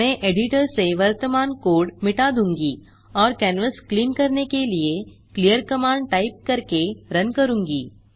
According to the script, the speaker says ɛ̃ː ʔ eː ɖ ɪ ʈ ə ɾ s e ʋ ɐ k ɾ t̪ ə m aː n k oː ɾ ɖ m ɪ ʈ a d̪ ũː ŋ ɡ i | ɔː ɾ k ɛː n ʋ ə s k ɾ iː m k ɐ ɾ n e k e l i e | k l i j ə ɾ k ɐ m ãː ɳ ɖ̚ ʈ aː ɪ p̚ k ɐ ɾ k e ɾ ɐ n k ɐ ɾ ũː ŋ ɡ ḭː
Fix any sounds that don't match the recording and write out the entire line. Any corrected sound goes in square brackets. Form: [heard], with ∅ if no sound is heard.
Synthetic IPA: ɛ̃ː ʔ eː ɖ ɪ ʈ ə ɾ s e ʋ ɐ [∅] ɾ t̪ ə m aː n k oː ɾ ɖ m ɪ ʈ a d̪ ũː ŋ ɡ i | ɔː ɾ k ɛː n ʋ ə s k [l] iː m k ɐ ɾ n e k e l i e | k l i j ə ɾ k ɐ m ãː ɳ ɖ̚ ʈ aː ɪ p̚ k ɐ ɾ k e ɾ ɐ n k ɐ ɾ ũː ŋ ɡ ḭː

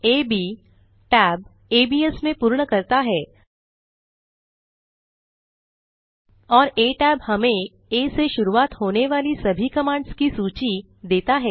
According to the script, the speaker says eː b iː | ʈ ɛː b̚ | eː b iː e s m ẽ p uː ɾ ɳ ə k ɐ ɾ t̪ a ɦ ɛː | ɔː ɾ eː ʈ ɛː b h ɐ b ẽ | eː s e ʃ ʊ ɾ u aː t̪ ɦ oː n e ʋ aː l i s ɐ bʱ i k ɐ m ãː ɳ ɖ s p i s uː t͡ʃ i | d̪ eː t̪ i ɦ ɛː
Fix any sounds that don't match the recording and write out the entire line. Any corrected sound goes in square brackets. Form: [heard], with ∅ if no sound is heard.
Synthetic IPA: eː b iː | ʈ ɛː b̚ | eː b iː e s m ẽ p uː ɾ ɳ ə k ɐ ɾ t̪ a ɦ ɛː | ɔː ɾ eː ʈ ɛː b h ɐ [m] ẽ | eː s e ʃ ʊ ɾ u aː t̪ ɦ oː n e ʋ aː l i s ɐ bʱ i k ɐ m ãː ɳ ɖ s [k] i s uː t͡ʃ i | d̪ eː t̪ [a] ɦ ɛː

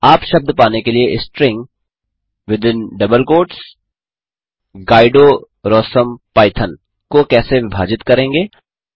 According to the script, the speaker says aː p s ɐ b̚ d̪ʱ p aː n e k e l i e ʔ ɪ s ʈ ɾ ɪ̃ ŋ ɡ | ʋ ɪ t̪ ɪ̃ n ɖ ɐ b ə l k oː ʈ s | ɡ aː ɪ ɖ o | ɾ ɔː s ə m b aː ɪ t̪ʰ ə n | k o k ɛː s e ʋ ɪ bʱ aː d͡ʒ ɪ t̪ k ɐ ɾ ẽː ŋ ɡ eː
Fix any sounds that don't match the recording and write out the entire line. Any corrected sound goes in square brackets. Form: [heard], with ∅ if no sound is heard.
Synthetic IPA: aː p [ʃ] ɐ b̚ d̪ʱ p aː n e k e l i e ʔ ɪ s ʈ ɾ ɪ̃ ŋ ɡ | ʋ ɪ [d̪] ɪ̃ n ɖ ɐ b ə l k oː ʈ s | ɡ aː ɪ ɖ o | ɾ ɔː s ə m [p] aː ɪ t̪ʰ ə n | k o k ɛː s e ʋ ɪ bʱ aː d͡ʒ ɪ t̪ k ɐ ɾ ẽː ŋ ɡ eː

